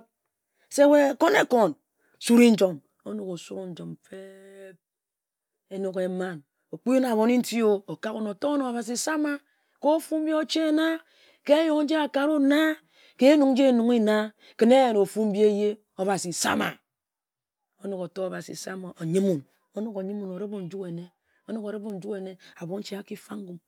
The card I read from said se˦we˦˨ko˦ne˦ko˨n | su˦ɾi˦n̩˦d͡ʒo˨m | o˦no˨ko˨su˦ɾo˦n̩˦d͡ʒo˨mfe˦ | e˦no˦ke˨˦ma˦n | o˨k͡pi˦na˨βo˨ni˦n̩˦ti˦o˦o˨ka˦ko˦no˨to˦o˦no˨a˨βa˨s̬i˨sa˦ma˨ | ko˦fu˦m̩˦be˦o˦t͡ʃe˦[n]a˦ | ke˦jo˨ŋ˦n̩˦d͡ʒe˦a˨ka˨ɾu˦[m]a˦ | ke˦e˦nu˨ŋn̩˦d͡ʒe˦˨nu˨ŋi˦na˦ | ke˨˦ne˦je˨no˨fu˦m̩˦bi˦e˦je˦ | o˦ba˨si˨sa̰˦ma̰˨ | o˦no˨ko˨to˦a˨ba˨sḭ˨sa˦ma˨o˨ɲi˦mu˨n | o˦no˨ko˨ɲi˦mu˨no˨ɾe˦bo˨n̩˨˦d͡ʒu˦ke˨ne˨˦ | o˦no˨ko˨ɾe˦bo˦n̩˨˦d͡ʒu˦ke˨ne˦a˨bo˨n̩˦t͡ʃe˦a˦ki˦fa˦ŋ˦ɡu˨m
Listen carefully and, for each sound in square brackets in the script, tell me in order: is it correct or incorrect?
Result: correct, incorrect

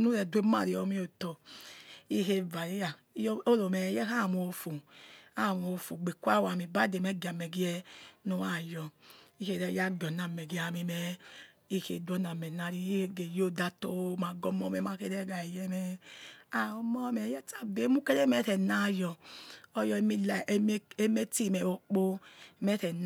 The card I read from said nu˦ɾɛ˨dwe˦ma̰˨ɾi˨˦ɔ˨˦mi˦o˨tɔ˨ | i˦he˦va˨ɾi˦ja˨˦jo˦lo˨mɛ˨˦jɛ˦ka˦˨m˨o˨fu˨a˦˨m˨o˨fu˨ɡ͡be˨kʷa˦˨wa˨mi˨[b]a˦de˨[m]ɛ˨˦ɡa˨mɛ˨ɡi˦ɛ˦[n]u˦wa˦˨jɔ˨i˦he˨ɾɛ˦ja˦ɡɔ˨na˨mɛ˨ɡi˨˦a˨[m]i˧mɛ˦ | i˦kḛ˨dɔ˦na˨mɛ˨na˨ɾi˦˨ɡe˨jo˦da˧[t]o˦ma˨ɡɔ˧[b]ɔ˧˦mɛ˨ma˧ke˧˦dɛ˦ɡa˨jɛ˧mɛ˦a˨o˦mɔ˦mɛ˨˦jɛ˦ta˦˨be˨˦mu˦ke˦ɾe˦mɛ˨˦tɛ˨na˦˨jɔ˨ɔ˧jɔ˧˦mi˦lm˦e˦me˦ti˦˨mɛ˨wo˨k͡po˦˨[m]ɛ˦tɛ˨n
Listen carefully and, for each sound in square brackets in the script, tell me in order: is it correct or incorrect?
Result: correct, correct, correct, correct, correct, incorrect, correct

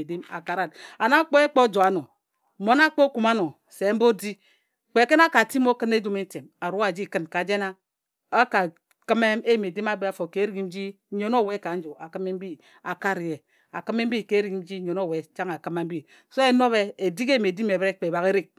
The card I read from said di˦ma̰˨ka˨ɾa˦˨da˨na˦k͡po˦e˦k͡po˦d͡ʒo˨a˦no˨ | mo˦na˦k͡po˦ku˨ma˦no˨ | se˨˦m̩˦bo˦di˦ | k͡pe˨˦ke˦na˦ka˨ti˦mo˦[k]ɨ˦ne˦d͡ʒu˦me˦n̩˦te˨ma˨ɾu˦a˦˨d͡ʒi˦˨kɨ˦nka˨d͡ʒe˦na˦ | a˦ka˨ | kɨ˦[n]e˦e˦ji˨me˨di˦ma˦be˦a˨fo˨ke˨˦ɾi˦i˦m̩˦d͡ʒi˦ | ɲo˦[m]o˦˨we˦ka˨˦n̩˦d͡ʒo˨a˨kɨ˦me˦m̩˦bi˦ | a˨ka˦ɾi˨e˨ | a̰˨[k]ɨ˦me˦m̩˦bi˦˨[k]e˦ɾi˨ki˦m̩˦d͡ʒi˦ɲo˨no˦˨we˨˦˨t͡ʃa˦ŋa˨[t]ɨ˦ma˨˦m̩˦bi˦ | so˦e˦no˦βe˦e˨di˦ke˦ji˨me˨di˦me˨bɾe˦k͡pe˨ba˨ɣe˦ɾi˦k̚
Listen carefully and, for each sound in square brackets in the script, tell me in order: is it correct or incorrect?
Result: correct, incorrect, incorrect, correct, correct, incorrect

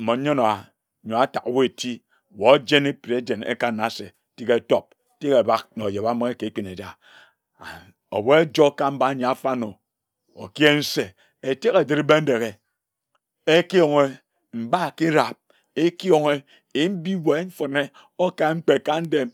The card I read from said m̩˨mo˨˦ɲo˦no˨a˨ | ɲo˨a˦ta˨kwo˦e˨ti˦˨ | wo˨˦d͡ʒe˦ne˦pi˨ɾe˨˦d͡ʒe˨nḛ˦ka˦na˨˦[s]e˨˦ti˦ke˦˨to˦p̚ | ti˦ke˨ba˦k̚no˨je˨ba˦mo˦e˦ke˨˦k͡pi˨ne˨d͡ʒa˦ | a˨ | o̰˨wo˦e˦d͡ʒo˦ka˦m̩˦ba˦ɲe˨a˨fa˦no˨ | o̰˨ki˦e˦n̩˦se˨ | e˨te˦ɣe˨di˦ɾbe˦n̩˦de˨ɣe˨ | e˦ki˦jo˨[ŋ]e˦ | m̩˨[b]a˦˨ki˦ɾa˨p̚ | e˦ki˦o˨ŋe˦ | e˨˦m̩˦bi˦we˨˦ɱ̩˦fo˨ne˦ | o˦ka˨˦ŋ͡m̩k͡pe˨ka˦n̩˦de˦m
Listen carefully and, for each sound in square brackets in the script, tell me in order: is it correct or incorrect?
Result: correct, correct, correct

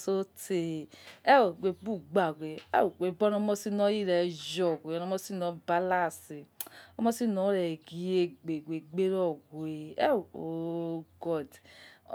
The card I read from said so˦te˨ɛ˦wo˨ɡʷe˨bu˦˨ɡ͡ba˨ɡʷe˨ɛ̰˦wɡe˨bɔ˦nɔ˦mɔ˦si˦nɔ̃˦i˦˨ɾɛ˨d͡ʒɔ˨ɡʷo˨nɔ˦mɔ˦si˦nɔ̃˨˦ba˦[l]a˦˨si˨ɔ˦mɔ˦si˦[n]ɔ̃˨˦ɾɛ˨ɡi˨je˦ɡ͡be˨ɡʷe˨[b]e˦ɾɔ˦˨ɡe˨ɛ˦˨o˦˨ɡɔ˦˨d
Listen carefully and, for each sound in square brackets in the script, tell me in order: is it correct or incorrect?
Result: correct, correct, incorrect

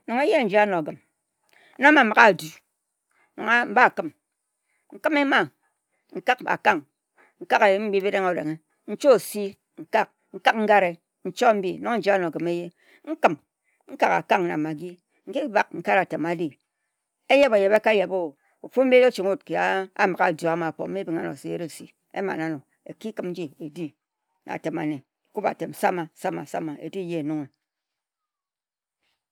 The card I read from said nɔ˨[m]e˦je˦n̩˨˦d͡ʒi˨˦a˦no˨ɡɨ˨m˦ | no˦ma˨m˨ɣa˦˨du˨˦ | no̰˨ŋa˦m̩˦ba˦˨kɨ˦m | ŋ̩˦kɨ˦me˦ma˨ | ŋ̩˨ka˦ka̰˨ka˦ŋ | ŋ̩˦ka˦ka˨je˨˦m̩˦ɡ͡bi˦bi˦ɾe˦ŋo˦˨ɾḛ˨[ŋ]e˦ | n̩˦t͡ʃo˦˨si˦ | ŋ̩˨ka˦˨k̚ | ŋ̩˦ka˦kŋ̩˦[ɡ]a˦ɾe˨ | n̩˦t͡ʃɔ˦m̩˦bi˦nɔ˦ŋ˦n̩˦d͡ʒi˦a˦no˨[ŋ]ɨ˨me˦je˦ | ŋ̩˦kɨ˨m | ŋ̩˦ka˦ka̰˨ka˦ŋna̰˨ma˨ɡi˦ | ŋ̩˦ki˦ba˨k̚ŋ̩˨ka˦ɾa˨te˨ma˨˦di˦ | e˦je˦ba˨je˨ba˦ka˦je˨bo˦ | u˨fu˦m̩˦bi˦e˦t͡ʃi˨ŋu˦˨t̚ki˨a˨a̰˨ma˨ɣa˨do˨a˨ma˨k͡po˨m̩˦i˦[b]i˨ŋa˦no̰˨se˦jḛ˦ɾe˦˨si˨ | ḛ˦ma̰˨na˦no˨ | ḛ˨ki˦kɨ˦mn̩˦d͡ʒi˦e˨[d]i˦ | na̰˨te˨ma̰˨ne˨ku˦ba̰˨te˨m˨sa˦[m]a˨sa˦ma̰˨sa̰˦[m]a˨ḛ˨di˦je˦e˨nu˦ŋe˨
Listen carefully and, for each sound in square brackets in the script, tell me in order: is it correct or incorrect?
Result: incorrect, correct, correct, incorrect, correct, correct, correct, correct

